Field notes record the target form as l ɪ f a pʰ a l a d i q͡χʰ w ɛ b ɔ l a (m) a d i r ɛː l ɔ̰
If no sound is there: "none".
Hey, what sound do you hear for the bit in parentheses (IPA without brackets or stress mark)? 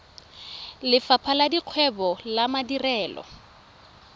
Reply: m